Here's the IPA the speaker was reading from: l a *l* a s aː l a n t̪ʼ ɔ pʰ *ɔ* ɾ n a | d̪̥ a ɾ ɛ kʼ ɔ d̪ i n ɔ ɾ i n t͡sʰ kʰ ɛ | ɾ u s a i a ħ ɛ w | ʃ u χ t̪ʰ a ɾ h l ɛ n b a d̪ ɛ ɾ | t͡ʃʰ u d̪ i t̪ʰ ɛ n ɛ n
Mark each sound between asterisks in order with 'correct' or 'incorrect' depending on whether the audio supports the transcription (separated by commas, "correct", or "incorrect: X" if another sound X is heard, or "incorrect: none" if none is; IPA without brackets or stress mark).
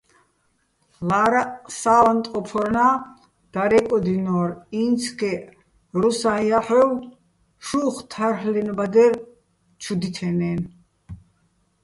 incorrect: ɾ, correct